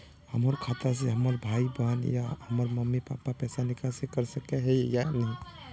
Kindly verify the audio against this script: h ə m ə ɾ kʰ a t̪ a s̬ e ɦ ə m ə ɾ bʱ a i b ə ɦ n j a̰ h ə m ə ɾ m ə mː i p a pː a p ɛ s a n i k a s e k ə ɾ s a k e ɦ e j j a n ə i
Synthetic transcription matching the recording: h ə m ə ɾ kʰ a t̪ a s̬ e ɦ ə m ə ɾ bʱ a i b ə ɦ n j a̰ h ə m ə ɾ m ə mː i p a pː a p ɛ s a n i k a s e k ə ɾ s ə k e ɦ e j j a n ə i